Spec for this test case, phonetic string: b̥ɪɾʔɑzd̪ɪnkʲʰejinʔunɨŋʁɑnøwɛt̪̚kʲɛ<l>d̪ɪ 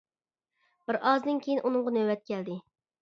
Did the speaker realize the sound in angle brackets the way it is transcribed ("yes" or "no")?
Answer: yes